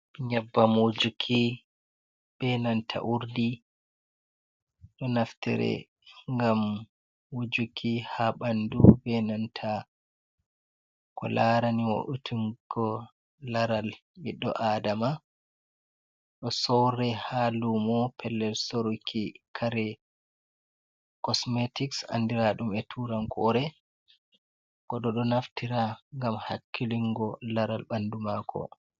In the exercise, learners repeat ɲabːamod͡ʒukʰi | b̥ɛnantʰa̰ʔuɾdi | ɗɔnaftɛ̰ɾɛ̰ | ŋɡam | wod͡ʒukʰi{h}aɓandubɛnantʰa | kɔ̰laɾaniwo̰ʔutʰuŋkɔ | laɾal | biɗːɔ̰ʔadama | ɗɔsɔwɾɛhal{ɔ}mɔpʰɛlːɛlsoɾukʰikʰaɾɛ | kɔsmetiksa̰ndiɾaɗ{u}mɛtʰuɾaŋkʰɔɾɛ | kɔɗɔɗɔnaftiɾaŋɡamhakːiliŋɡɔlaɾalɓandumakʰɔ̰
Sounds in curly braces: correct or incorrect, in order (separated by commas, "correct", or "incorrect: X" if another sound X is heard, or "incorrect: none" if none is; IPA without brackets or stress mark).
correct, incorrect: u, correct